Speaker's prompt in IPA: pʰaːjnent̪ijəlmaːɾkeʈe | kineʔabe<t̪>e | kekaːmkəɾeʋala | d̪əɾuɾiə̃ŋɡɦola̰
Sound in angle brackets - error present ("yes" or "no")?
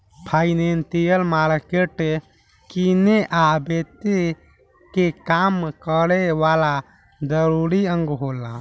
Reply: no